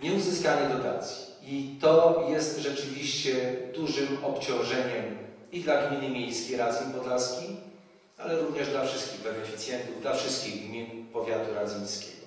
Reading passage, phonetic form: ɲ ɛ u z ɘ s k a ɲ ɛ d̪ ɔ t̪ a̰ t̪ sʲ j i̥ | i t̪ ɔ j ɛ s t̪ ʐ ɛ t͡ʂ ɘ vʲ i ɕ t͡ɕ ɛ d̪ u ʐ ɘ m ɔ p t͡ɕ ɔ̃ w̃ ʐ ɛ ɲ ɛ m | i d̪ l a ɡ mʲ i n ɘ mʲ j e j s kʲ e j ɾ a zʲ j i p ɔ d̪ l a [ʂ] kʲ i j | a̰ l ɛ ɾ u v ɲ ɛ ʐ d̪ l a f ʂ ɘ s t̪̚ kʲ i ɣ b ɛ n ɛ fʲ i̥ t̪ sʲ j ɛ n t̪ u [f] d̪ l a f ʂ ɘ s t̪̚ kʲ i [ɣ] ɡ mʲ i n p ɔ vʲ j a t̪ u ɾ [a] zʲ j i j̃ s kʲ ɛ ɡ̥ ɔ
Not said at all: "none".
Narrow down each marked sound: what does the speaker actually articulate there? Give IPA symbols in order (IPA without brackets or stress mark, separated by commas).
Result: s, v, ɣ, a